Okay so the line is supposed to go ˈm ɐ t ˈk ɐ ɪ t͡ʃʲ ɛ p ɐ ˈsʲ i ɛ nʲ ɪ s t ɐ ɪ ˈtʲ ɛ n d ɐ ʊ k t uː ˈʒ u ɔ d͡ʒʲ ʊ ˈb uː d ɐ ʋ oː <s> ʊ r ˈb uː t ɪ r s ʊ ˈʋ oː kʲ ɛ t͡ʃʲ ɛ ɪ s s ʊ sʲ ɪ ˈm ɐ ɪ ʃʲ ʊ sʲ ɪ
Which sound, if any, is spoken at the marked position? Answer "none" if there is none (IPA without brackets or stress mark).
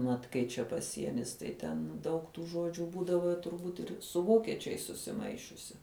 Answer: t